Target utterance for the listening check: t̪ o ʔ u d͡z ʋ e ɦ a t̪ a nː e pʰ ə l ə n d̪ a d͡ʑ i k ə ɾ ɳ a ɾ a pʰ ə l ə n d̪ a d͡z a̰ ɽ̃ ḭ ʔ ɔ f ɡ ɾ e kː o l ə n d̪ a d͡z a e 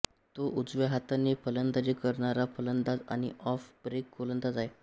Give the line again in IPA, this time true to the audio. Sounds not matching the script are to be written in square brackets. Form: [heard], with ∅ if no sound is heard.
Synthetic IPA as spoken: t̪ o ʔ u d͡z ʋ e ɦ a t̪ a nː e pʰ ə l ə n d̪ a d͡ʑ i k ə ɾ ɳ a ɾ a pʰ ə l ə n d̪ a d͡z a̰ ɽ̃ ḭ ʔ ɔ f [b] ɾ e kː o l ə n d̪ a d͡z a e

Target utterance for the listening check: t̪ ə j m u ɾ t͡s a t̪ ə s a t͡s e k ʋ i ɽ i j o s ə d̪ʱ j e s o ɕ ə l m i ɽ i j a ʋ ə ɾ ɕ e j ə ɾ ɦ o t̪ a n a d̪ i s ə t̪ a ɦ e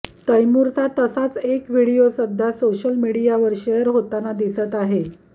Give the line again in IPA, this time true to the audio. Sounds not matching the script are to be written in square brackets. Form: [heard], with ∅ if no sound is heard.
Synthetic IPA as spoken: t̪ ə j m u ɾ t͡s a t̪ ə s a t͡s e k ʋ i ɽ i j o s ə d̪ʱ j [a] s o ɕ ə l m i ɽ i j a ʋ ə ɾ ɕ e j ə ɾ ɦ o t̪ a n a d̪ i s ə t̪ a ɦ e

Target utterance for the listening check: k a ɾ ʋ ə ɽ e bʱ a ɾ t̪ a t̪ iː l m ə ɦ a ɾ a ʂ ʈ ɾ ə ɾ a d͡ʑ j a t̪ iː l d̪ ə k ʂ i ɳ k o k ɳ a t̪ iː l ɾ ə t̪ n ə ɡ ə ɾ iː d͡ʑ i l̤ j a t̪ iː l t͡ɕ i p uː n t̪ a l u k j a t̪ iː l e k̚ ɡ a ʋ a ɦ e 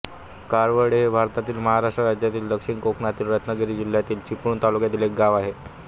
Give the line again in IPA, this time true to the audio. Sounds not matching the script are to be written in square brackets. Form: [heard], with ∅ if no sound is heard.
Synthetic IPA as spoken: k a ɾ ʋ ə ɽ e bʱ a ɾ t̪ a t̪ iː l m ə ɦ a ɾ a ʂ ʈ ɾ ə ɾ a d͡ʑ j a t̪ iː l d̪ ə k ʂ i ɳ k o k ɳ a t̪ iː l ɾ ə t̪ n ə ɡ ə ɾ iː d͡ʑ i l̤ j a t̪ iː l t͡ɕ i p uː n t̪ a l u k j a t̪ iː l e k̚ ɡ a ʋ a ɦ e

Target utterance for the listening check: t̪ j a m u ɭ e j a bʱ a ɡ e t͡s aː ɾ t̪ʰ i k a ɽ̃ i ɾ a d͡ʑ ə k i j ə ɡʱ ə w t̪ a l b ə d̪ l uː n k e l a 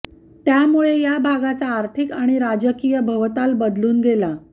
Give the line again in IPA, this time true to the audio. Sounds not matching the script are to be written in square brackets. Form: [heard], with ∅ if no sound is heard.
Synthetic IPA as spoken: t̪ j a m u ɭ e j a bʱ a ɡ [a] t͡s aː ɾ t̪ʰ i k a ɽ̃ i ɾ a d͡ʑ ə k i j ə [bʱ] ə [ʋ] t̪ a l b ə d̪ l uː n [ɡ] e l a

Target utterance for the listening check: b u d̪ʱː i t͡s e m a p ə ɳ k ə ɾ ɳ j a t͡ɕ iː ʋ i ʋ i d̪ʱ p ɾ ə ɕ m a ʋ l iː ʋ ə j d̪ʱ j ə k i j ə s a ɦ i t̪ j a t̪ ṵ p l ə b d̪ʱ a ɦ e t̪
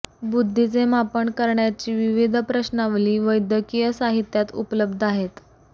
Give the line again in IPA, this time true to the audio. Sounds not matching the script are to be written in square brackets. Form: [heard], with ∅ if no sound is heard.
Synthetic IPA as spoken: b u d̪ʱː i t͡s e m a p ə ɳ k ə ɾ ɳ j a t͡ɕ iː ʋ i ʋ i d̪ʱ p ɾ ə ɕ [n] a ʋ l iː ʋ ə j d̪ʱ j ə k i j ə s a ɦ i t̪ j a t̪ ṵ p l ə b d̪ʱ a ɦ e t̪

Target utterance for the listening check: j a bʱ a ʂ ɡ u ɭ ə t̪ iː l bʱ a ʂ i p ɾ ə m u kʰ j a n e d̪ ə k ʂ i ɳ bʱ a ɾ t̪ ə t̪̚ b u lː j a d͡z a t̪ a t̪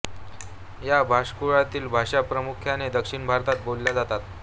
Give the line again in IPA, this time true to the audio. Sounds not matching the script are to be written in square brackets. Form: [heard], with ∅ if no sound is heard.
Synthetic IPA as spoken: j a bʱ a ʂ [k] u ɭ [a] t̪ iː l bʱ a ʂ [a] p ɾ ə m u kʰ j a n e d̪ ə k ʂ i ɳ bʱ a ɾ t̪ [a] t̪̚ b [o] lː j a d͡z a t̪ a t̪

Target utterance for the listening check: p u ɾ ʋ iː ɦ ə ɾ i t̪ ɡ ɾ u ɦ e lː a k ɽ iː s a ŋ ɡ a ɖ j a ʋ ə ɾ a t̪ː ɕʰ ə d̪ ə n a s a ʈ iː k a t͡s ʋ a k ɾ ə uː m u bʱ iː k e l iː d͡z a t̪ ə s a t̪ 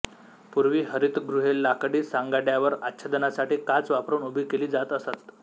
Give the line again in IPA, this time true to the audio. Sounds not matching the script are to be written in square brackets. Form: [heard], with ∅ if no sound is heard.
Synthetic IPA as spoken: p u ɾ ʋ iː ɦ ə ɾ i t̪ ɡ ɾ u ɦ e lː a k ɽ iː s a ŋ ɡ a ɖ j a ʋ ə ɾ a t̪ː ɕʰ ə d̪ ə n a s a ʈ iː k a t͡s ʋ a [p] ɾ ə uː [n] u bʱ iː k e l iː d͡z a t̪ ə s a t̪

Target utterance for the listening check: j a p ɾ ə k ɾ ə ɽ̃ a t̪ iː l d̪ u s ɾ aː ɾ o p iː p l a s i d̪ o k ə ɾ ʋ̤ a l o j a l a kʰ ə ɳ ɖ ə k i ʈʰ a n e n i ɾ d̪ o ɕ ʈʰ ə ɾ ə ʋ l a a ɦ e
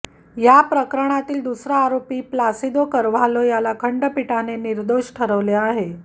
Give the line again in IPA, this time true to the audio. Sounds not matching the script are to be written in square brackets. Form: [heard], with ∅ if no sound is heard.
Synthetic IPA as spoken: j a p ɾ ə k ɾ ə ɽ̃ a t̪ iː l d̪ u s ɾ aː ɾ o p iː p l a s i d̪ o k ə ɾ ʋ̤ a l o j a l a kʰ ə ɳ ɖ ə [p] i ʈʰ a n e n i ɾ d̪ o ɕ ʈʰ ə ɾ ə ʋ l [e] a ɦ e

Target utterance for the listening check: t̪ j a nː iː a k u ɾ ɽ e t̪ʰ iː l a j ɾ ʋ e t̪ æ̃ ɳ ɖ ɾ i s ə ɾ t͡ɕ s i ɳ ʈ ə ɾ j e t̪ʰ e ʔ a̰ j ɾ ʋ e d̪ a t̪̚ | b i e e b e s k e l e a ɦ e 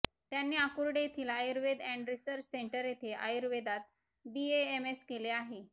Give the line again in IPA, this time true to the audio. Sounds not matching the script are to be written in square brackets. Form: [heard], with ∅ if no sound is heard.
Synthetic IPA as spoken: t̪ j a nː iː a k u ɾ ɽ e t̪ʰ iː l a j ɾ ʋ e [d̪] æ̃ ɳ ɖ ɾ i s ə ɾ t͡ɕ s [e] ɳ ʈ ə ɾ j e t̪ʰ e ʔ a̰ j ɾ ʋ e d̪ a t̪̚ | b i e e [m] e s k e l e a ɦ e

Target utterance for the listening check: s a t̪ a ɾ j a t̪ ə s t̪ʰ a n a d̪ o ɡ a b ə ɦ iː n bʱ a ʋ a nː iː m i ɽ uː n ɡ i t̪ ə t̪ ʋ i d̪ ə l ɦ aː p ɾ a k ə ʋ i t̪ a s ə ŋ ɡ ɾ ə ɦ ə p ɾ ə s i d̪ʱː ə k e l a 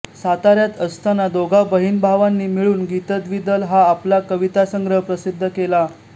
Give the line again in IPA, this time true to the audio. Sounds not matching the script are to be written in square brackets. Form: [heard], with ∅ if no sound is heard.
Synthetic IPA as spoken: s a t̪ a ɾ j a t̪ ə s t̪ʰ a n a d̪ o ɡ a b ə ɦ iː n bʱ a ʋ a nː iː m i [ɭ] uː n ɡ i t̪ ə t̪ ʋ i d̪ ə l ɦ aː p [l] a k ə ʋ i t̪ a s ə ŋ ɡ ɾ ə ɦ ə p ɾ ə s i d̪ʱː ə k e l a

